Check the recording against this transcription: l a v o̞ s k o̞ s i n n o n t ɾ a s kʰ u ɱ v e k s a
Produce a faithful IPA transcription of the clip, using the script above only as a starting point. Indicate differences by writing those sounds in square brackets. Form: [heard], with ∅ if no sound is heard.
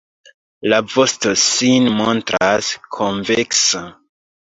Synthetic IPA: l a v o̞ s [t] o̞ s i n [m] o n t ɾ a s kʰ [o] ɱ v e k s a